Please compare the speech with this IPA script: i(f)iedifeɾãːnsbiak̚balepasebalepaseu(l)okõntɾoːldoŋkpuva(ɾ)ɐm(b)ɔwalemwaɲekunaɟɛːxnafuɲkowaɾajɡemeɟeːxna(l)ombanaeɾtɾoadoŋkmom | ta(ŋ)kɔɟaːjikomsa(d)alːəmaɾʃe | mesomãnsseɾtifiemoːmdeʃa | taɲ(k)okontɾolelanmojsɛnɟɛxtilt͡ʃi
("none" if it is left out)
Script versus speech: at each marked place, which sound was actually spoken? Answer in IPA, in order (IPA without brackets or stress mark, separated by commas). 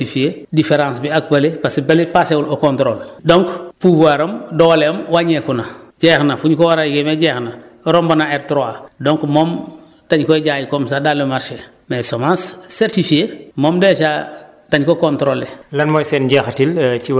f, l, ɾ, d, ɾ, ɲ, d, k